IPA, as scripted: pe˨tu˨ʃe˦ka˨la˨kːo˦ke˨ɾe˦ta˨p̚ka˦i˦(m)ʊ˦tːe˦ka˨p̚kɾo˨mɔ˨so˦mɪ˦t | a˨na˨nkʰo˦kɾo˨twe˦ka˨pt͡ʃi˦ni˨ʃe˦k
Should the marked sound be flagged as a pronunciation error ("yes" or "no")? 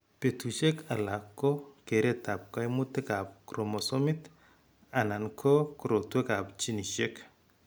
no